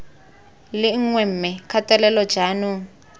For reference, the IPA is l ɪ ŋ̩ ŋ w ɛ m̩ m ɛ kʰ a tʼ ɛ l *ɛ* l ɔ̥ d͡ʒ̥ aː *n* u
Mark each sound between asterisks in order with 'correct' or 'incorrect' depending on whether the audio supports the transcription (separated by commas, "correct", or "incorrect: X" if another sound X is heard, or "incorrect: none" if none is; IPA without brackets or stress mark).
correct, correct